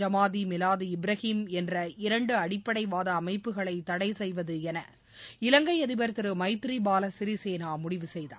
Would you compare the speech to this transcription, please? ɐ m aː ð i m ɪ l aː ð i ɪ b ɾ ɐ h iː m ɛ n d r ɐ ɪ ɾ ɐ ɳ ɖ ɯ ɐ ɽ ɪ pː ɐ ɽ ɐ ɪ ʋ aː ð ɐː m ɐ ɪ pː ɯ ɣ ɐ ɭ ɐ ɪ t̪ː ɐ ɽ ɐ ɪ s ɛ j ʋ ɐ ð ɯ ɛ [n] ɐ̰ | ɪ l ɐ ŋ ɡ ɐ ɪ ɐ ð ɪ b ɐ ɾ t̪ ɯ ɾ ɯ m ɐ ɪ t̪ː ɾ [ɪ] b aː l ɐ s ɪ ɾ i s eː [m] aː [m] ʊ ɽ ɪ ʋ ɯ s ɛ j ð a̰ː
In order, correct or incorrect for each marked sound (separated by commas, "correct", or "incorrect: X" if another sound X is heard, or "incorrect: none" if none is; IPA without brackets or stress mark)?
correct, incorrect: i, incorrect: n, correct